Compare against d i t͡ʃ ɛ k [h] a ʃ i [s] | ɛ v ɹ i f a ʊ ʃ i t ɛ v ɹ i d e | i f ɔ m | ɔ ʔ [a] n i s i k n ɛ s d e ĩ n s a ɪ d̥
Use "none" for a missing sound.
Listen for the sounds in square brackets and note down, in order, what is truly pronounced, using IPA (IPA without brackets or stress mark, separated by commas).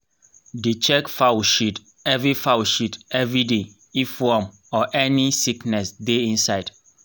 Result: f, t, ɛ